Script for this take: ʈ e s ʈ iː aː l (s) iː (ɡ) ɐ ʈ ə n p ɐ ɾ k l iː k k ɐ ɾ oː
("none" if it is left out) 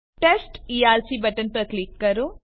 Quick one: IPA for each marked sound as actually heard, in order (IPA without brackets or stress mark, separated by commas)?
s, b